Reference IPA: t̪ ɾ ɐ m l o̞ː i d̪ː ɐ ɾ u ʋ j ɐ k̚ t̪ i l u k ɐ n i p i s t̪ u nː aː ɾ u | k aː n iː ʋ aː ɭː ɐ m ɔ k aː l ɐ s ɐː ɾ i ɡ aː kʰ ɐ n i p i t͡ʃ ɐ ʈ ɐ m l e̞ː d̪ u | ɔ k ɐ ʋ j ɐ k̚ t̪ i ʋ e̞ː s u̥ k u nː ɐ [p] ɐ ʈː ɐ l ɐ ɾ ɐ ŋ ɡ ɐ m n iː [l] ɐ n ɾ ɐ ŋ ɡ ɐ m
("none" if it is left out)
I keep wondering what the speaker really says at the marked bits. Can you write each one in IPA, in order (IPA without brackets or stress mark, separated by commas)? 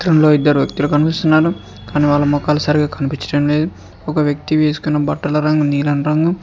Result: b, l